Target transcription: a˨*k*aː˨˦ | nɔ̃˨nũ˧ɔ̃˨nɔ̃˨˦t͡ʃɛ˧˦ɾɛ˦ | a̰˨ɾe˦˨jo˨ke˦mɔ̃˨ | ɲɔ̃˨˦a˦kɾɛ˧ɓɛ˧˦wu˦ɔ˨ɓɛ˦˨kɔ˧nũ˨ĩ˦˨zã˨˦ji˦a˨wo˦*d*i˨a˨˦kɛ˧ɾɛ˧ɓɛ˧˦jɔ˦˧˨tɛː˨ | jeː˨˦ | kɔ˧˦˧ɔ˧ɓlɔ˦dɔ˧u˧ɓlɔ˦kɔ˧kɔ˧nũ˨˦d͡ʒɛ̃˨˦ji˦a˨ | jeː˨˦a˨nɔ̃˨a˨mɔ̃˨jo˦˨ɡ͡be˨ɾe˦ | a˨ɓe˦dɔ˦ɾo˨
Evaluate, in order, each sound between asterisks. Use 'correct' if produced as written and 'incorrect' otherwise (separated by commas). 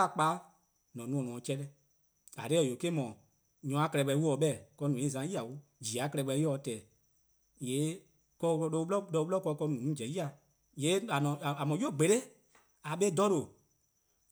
incorrect, incorrect